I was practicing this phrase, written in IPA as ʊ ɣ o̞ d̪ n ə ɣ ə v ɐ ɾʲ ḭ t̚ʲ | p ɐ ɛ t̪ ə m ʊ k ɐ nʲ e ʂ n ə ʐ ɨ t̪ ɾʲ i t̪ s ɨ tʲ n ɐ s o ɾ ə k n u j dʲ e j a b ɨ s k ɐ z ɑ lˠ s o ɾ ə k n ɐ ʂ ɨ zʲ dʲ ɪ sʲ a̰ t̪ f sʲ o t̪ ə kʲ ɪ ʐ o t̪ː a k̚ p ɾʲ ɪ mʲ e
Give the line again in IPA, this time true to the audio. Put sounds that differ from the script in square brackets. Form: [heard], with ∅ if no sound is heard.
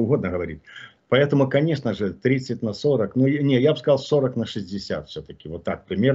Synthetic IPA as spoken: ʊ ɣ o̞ d̪ n ə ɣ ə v ɐ ɾʲ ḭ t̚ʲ | p ɐ ɛ t̪ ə m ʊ k ɐ nʲ e ʂ n ə ʐ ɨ t̪ ɾʲ i t̪ s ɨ tʲ n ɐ s o ɾ ə k n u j [nʲ] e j a b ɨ s k ɐ z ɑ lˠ s o ɾ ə k n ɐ ʂ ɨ zʲ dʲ ɪ sʲ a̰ t̪ f sʲ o t̪ ə kʲ ɪ [v] o t̪ː a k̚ p ɾʲ ɪ mʲ e